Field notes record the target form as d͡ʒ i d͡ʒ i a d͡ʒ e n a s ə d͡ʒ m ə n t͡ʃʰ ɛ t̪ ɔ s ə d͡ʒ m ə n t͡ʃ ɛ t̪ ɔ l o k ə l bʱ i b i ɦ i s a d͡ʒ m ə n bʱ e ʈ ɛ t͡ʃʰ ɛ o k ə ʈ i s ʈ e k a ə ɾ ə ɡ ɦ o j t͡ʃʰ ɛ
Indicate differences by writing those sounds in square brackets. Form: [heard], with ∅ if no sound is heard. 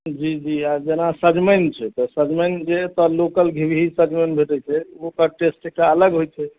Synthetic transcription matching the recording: d͡ʒ i d͡ʒ i a d͡ʒ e n a s ə d͡ʒ m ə n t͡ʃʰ ɛ t̪ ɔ s ə d͡ʒ m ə n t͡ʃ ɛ t̪ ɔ l o k ə l [ɡʱ] i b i ɦ i s [ə] d͡ʒ m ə n bʱ e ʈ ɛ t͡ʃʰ ɛ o k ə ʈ [e] s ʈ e k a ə [l] ə ɡ ɦ o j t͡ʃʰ ɛ